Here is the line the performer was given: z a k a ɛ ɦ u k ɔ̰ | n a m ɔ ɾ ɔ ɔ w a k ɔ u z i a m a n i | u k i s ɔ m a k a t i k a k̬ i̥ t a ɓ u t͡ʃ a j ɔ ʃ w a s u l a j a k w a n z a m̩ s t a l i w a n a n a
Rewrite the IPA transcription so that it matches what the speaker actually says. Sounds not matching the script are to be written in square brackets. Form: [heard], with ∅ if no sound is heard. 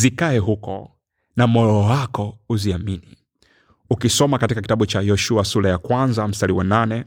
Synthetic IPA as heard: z [i] k a ɛ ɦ u k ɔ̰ | n a m ɔ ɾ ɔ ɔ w a k ɔ u z i a m [i] n i | u k i s ɔ m a k a t i k a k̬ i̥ t a ɓ u t͡ʃ a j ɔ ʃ [u] a s u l a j a k w a n z a m̩ s t a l i w a n a n [ɛ]